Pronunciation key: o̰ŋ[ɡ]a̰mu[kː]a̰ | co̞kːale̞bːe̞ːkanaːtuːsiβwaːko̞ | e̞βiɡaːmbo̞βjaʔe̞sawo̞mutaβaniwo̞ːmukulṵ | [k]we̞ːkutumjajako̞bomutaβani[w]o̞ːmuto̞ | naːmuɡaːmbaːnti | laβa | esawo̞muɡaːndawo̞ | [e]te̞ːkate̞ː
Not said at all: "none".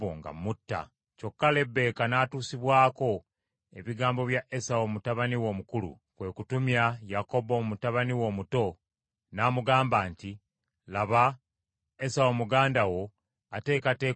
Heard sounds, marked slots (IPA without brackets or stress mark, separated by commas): ɡ, tː, k, w, a